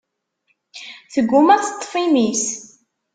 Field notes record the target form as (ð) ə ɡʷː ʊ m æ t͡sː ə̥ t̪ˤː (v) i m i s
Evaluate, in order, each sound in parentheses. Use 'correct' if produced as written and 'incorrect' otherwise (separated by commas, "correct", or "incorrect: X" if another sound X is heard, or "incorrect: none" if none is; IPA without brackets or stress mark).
incorrect: θ, incorrect: f